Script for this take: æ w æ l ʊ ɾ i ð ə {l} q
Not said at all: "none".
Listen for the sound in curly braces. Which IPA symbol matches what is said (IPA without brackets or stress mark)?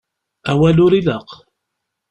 none